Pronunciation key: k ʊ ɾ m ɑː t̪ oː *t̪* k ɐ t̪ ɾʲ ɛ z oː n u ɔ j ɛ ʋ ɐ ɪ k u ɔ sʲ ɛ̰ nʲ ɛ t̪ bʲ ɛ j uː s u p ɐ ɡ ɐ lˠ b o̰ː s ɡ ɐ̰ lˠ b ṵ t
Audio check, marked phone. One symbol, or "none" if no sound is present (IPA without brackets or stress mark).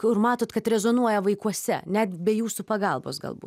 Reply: t̪